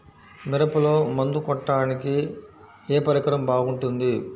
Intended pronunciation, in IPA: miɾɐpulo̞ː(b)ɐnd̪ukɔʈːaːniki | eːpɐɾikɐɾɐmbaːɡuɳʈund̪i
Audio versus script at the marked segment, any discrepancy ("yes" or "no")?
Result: yes